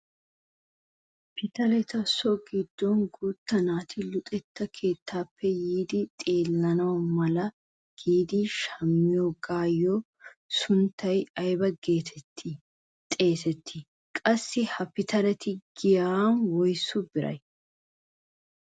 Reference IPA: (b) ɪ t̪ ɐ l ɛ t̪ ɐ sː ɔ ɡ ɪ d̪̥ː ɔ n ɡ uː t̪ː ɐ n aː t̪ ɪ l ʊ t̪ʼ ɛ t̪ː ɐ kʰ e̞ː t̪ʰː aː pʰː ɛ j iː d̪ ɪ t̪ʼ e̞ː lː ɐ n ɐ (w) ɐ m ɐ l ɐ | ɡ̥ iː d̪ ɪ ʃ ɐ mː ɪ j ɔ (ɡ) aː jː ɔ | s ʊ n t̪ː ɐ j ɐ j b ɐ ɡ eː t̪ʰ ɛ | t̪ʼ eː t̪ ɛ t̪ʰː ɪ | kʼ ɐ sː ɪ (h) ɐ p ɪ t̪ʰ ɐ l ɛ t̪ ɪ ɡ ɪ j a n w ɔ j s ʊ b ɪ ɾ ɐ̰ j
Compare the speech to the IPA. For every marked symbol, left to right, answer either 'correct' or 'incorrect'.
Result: incorrect, correct, correct, correct

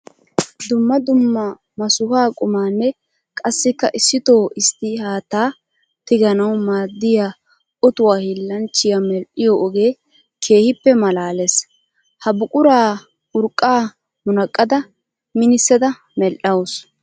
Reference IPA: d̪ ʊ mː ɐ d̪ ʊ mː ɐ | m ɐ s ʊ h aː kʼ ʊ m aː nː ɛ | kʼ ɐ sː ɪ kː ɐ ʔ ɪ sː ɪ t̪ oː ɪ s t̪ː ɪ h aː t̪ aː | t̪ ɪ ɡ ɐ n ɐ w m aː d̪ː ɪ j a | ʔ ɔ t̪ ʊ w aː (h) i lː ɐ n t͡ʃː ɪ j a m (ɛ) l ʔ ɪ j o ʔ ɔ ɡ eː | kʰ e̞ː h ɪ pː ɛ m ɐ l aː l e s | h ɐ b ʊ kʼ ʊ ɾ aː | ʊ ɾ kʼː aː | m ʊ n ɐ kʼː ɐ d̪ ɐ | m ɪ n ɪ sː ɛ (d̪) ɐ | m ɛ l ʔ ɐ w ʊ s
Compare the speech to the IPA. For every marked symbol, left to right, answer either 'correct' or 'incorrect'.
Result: correct, correct, correct

